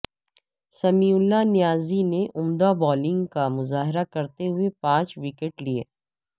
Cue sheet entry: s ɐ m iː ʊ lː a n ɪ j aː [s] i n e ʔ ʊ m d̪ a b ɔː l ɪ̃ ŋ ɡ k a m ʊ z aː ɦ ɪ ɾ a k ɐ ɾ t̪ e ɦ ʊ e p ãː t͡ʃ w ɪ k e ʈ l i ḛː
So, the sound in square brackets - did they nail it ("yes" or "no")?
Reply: no